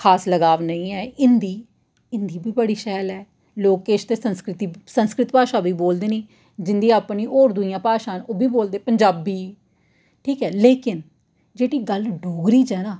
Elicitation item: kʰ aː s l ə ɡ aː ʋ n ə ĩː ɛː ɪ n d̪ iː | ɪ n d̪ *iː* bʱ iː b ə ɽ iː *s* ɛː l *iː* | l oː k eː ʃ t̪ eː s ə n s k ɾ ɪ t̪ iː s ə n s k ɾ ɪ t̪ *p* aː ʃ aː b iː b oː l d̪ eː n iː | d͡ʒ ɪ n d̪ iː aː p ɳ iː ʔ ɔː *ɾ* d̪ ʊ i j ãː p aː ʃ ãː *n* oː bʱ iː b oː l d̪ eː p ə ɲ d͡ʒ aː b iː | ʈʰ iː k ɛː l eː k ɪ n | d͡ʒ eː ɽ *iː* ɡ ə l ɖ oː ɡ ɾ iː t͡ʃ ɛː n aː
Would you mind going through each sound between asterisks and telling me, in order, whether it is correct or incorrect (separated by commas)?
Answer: correct, incorrect, incorrect, correct, correct, correct, correct